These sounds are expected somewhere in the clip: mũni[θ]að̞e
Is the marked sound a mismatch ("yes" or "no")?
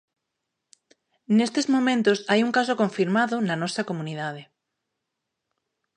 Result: yes